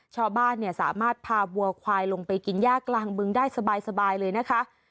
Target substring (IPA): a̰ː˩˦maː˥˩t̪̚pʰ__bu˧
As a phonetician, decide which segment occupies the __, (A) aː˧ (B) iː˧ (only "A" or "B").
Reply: A